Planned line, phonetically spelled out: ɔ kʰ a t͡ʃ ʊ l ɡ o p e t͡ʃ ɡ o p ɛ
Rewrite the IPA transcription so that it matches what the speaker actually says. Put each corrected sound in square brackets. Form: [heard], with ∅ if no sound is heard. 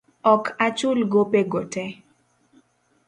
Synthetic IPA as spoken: ɔ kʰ a t͡ʃ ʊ l ɡ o p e [∅] ɡ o [t] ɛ

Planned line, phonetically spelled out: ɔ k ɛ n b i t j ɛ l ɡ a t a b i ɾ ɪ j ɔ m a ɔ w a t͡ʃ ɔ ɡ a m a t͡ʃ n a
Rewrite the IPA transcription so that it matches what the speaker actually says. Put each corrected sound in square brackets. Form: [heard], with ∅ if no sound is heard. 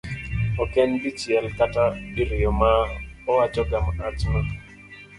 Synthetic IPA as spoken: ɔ k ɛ n b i [t͡ʃ] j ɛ l [k] a t a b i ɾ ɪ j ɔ m a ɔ w a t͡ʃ ɔ ɡ a m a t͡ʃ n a

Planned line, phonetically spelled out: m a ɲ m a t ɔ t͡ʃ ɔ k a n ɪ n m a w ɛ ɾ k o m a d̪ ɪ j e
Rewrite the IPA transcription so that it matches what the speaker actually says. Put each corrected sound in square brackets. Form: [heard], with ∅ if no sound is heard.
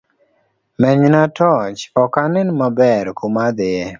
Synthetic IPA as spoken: m [ɛ] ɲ [n] a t ɔ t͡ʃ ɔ k a n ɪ n m a [b] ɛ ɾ k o m a d̪ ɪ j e

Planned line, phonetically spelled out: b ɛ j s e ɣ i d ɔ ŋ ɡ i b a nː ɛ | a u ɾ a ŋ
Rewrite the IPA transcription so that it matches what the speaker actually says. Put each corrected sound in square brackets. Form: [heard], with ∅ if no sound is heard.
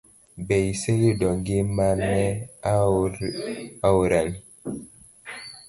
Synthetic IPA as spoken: b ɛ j s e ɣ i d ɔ ŋ ɡ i [m] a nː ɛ | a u ɾ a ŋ

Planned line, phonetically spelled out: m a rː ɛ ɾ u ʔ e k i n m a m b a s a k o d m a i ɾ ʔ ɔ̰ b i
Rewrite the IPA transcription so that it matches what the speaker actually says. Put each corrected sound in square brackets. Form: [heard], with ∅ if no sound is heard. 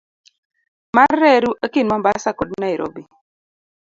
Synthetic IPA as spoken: m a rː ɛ ɾ u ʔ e k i n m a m b a s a k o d [n] a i ɾ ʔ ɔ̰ b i

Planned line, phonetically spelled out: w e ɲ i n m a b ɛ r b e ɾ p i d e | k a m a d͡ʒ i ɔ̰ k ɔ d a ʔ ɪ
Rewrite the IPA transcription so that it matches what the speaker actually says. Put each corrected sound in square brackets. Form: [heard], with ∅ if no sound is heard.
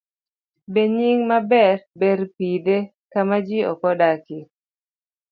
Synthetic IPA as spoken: [b] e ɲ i [ŋ] m a b ɛ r b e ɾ p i d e | k a m a d͡ʒ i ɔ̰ k ɔ d a [k] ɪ

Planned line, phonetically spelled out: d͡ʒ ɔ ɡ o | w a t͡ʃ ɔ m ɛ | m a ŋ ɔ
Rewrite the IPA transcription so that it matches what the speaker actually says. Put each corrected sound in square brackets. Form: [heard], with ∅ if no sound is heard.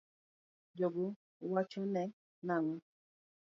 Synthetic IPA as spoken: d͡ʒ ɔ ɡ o | w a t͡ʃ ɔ [n] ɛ | [n] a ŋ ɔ

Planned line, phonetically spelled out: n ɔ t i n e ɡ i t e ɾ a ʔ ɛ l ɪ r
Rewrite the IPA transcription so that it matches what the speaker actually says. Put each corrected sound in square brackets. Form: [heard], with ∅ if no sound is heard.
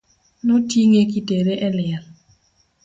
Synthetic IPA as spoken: n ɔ t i [ŋ] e [k] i t e ɾ [e] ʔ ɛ l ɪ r

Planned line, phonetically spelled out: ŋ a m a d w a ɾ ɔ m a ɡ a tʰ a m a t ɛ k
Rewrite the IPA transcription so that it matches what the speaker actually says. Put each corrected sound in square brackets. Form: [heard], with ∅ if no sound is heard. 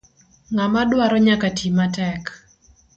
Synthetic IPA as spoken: ŋ a m a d w a ɾ ɔ [ɲ] a [k] a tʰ [i] m a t ɛ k

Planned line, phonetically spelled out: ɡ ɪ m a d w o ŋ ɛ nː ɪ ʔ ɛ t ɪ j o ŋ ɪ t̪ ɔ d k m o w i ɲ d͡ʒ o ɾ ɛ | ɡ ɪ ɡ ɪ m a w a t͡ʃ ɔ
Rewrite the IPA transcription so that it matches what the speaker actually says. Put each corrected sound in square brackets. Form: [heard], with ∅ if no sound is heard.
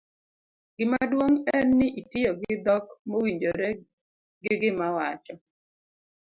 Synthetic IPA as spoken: ɡ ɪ m a d w o ŋ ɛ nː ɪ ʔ [i] t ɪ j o [ɡ] ɪ [d̪] ɔ [∅] k m o w i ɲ d͡ʒ o ɾ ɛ | ɡ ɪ ɡ ɪ m a w a t͡ʃ ɔ

